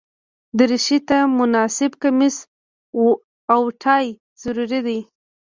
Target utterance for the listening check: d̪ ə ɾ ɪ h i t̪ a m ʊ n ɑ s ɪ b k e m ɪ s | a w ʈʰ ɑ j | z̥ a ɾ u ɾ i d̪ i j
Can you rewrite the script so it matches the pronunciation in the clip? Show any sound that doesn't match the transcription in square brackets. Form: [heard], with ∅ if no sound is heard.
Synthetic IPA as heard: d̪ ə ɾ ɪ [ʃ] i t̪ a m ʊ n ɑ s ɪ b k [a] m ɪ s | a w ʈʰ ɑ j | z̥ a ɾ u ɾ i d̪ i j